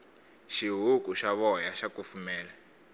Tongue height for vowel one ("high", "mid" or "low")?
high